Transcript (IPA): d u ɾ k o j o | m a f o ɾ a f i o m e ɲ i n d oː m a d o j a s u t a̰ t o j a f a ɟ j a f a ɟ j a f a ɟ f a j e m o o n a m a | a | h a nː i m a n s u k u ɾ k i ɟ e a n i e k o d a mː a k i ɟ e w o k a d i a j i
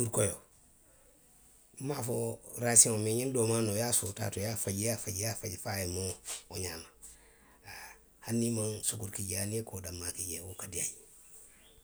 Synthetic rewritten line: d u ɾ k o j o | m a f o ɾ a s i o m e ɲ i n d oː m a n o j a s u t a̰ t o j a f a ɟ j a f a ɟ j a f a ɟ f a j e m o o ɲ a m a | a | h a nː i m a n s u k u ɾ k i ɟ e a n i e k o d a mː a k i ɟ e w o k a d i a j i